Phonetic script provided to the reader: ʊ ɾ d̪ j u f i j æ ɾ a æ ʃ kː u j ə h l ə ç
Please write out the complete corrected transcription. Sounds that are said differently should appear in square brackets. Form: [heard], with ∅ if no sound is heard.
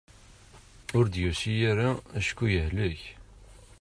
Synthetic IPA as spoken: ʊ ɾ d̪ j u [s] i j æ ɾ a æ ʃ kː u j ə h l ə ç

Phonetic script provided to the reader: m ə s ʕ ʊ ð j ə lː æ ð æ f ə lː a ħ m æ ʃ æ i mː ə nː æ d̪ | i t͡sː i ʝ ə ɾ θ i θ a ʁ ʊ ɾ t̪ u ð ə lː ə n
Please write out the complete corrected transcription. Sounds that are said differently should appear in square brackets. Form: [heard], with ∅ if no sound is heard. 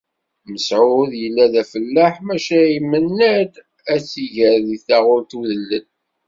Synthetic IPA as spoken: m ə s ʕ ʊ ð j ə lː æ ð æ f ə lː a ħ m æ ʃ æ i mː ə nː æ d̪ | [æ] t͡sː i ʝ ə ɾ [ð] i θ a ʁ ʊ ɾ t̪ u ð ə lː ə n

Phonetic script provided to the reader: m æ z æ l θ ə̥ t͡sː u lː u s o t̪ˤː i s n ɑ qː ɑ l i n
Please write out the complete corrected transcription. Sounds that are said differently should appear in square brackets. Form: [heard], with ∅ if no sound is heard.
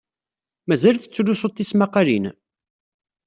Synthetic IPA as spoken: m æ z æ l θ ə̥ t͡sː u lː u s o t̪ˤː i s [m] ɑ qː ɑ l i n

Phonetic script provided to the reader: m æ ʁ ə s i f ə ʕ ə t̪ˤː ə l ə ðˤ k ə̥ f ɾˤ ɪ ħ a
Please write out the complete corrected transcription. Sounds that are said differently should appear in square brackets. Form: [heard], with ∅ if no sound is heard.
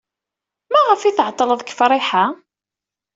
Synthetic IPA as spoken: m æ ʁ ə [f] i [θ] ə ʕ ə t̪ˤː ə l ə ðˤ k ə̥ f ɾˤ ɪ ħ a

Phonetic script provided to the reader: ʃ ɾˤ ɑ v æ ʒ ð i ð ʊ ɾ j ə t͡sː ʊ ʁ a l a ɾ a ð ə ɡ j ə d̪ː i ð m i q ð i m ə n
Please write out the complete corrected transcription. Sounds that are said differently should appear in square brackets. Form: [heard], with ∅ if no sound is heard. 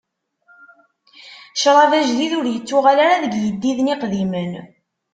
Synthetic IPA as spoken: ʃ ɾˤ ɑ v æ ʒ ð i ð ʊ ɾ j ə t͡sː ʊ ʁ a l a ɾ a ð ə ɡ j ə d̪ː i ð [n] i q ð i m ə n

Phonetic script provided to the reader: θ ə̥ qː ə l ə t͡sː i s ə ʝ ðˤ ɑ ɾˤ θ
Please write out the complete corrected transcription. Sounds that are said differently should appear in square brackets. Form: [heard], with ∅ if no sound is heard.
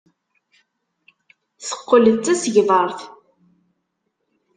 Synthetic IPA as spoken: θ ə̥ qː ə l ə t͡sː [æ] s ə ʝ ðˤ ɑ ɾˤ θ

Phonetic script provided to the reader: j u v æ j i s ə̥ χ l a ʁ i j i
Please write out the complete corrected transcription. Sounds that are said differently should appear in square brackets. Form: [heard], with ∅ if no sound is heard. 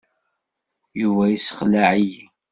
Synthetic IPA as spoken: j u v æ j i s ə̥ χ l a [ʕ] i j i

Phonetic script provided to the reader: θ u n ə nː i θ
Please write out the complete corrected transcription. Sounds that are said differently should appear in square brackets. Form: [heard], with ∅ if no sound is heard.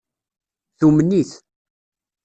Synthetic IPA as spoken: θ u [m] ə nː i θ

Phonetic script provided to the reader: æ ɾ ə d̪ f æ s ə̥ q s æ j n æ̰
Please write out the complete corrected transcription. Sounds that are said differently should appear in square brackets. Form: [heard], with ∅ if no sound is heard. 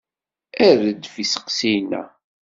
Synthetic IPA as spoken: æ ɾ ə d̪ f [i] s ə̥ q s [i] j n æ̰

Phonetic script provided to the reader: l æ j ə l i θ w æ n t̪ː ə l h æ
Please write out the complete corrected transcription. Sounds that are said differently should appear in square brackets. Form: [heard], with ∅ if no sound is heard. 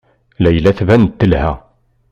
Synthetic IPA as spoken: l æ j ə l [æ] θ [v] æ n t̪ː ə l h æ

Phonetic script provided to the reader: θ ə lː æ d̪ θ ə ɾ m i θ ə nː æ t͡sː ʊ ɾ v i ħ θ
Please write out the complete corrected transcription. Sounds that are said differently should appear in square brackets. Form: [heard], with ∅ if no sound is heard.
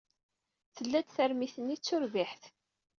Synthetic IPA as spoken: θ ə lː æ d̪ θ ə ɾ m i θ ə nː [i] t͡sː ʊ ɾ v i ħ θ

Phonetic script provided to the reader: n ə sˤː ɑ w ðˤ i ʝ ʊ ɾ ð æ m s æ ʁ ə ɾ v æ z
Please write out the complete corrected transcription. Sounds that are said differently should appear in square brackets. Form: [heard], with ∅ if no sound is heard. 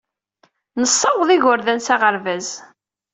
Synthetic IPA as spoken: n ə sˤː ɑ w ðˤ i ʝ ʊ ɾ ð æ [n] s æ ʁ ə ɾ v æ z

